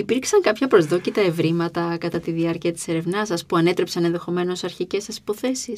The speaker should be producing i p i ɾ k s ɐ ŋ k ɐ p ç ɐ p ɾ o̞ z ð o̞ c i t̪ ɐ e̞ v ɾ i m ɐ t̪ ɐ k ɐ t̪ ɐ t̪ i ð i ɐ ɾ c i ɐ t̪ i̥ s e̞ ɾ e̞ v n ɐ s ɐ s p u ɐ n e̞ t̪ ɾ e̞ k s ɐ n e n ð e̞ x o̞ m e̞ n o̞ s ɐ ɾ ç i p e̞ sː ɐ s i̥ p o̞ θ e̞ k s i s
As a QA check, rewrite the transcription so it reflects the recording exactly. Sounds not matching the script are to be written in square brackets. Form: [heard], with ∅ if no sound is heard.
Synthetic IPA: i p i ɾ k s ɐ ŋ k ɐ p ç ɐ p ɾ o̞ z ð o̞ c i t̪ ɐ e̞ v ɾ i m ɐ t̪ ɐ k ɐ t̪ ɐ t̪ i ð i ɐ ɾ c i ɐ t̪ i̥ s e̞ ɾ e̞ v n ɐ s ɐ s p u ɐ n e̞ t̪ ɾ e̞ [p] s ɐ n e n ð e̞ x o̞ m e̞ n o̞ s ɐ ɾ ç i [c] e̞ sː ɐ s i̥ p o̞ θ e̞ [∅] s i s